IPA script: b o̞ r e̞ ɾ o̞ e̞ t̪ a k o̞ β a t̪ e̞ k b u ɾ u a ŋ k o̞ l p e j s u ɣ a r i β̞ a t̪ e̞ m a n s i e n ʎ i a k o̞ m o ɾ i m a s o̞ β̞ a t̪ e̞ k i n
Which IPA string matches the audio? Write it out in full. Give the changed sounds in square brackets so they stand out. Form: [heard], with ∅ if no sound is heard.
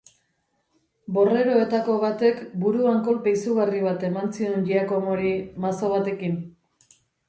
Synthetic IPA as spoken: b o̞ r e̞ ɾ o̞ e̞ t̪ a k o̞ β a t̪ e̞ k b u ɾ u a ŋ k o̞ l p e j s u ɣ a r i β̞ a t̪ e̞ m a n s i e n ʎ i a k o̞ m o ɾ i m a s o̞ β̞ a t̪ e̞ k i n